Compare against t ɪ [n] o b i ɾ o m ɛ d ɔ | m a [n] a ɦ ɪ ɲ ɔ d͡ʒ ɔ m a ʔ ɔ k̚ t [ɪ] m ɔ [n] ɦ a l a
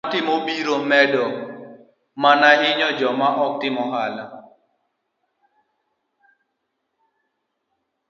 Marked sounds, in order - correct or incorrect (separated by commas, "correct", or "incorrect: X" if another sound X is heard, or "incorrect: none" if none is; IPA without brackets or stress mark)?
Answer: incorrect: m, correct, correct, incorrect: none